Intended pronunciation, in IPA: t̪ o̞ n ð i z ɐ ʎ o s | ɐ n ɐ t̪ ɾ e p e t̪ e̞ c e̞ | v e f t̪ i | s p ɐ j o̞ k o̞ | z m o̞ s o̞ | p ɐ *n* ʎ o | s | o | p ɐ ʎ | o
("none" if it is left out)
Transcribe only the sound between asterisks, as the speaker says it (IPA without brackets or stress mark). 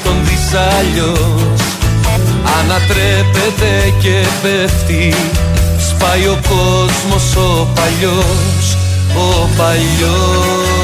none